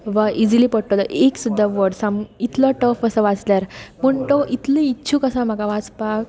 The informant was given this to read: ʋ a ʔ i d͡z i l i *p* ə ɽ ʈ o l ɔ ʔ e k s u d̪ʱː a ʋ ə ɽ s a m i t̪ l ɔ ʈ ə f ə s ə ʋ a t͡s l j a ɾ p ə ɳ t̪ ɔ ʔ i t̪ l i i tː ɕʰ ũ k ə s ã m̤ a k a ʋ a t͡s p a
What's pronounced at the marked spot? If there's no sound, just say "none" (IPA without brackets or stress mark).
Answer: p